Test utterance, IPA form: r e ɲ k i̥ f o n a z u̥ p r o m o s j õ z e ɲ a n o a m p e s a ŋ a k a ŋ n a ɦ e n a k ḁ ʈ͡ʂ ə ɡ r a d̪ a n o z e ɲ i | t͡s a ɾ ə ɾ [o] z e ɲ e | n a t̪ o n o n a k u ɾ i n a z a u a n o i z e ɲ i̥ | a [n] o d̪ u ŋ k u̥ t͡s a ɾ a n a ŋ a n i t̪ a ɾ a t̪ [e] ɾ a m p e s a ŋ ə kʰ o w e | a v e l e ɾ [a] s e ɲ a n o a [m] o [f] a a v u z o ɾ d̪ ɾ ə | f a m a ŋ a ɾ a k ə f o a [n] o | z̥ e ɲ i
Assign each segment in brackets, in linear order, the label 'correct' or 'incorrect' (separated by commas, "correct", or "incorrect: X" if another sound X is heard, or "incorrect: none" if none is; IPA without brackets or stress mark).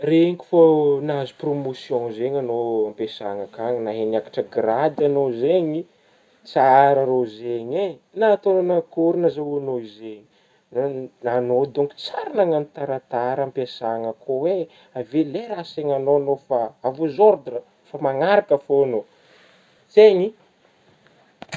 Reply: correct, correct, incorrect: a, correct, incorrect: n, correct, correct